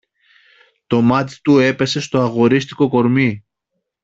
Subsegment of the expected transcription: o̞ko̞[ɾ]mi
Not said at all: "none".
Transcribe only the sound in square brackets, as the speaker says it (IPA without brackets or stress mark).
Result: ɾ